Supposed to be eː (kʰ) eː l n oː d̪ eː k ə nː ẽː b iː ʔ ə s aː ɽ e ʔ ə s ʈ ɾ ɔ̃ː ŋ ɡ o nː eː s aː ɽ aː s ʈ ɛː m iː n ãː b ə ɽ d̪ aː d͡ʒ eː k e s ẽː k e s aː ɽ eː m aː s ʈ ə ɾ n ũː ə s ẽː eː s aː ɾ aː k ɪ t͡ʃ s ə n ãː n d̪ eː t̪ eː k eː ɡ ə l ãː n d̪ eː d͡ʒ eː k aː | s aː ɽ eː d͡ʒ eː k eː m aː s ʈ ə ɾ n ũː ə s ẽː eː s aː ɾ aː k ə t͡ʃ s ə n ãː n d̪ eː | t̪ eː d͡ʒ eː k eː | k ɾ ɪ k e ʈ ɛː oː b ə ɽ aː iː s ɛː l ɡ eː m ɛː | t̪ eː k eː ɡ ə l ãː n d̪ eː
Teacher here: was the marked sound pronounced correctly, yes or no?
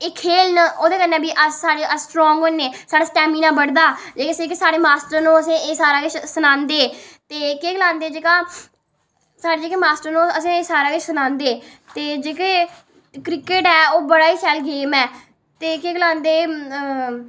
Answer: yes